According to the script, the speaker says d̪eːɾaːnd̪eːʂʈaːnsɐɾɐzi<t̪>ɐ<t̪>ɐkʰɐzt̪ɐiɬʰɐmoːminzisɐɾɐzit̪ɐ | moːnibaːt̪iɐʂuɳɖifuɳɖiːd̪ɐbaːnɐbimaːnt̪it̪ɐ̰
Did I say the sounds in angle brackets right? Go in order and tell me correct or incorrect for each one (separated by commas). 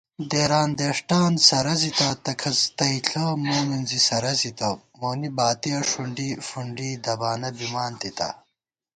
correct, correct